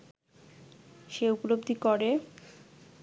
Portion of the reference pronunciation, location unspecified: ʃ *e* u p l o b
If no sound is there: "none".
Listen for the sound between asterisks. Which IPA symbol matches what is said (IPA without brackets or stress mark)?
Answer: e